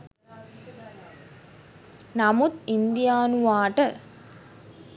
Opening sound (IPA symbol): n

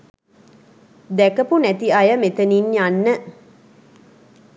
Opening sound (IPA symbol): d̪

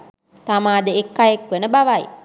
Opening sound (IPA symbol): t̪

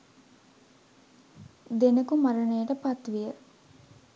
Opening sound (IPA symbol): d̪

